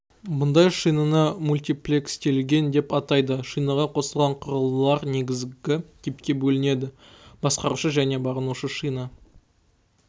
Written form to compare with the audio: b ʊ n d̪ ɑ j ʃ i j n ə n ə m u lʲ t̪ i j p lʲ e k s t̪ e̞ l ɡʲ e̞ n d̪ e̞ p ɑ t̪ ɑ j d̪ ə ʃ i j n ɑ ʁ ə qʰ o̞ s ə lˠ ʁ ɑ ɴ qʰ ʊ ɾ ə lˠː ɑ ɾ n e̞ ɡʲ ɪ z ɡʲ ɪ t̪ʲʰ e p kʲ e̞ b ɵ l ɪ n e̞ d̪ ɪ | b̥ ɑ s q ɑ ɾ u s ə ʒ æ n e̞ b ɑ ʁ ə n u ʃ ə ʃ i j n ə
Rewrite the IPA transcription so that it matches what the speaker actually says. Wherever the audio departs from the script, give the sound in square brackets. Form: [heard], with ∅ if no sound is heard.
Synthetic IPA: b ʊ n d̪ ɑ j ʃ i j n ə n ə m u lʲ t̪ i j p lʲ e k s t̪ e̞ l ɡʲ e̞ n d̪ e̞ p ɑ t̪ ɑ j d̪ ə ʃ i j n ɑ ʁ [ɑ] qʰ o̞ s ə lˠ ʁ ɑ ɴ qʰ ʊ ɾ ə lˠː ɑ ɾ n e̞ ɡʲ ɪ z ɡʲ ɪ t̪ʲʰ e p kʲ e̞ b ɵ l ɪ n e̞ d̪ ɪ | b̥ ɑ s q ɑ ɾ u [ʃ] ə ʒ æ n e̞ b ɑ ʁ ə n u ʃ ə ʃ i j n ə